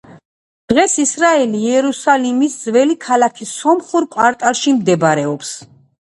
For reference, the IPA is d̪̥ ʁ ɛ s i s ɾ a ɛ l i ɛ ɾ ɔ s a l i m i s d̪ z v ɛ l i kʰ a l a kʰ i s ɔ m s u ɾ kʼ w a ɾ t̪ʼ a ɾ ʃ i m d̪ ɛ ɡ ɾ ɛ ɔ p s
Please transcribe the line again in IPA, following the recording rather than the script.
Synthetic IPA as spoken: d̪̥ ʁ ɛ s i s ɾ a ɛ l i ɛ ɾ u s a l i m i s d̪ z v ɛ l i kʰ a l a kʰ i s ɔ m χ u ɾ kʼ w a ɾ t̪ʼ a ɾ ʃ i m d̪ ɛ b ɾ ɛ ɔ p s

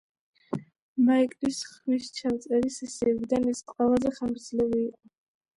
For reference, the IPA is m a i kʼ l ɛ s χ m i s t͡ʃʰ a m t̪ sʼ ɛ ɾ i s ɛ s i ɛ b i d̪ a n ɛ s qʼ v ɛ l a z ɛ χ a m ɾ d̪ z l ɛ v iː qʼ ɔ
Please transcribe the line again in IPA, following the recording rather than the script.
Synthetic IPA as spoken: m a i kʼ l i s χ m i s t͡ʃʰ a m t̪ sʼ ɛ ɾ i s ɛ s i ɛ b i d̪ a n ɛ s qʼ w ɛ l a z ɛ χ a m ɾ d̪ z l ɛ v iː qʼ ɔ

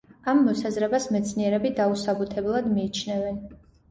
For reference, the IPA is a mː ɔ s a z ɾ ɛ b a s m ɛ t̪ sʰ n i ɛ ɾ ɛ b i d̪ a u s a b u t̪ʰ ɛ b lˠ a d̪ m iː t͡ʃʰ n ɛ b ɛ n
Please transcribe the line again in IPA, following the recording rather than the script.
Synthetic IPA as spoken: a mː ɔ s a z ɾ ɛ b a s m ɛ t̪ sʰ n i ɛ ɾ ɛ b i d̪ a u s a b u t̪ʰ ɛ b lˠ a d̪ m iː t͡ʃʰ n ɛ v ɛ n

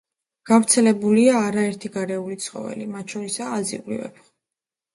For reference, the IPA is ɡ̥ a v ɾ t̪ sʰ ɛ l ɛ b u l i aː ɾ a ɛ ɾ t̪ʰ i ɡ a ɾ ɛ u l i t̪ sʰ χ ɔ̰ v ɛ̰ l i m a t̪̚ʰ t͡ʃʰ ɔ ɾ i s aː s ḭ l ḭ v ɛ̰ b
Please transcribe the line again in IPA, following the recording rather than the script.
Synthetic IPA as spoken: ɡ̥ a v ɾ t̪ sʰ ɛ l ɛ b u l i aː ɾ a ɛ ɾ t̪ʰ i ɡ a ɾ ɛ u l i t̪ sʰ χ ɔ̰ v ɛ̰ l i m a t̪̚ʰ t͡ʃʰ ɔ ɾ i s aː z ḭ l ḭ v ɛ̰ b

